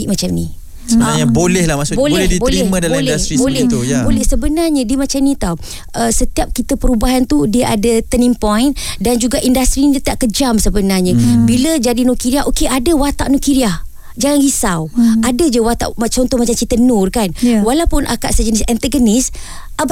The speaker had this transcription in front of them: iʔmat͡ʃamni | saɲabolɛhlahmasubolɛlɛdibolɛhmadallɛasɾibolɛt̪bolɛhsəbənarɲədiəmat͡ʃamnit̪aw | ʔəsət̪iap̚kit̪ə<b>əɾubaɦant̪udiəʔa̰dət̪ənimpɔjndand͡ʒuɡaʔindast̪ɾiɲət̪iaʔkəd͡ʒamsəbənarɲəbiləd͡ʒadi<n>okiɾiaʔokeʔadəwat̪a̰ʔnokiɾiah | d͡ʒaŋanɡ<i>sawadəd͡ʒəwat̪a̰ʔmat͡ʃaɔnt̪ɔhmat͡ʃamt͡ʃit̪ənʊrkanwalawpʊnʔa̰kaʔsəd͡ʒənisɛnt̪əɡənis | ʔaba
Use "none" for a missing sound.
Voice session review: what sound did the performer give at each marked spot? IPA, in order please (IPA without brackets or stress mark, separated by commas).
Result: p, n, i